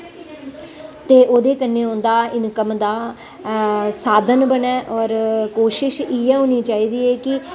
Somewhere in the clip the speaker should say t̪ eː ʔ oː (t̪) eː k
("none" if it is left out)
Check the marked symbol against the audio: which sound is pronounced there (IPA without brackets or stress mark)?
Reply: d̪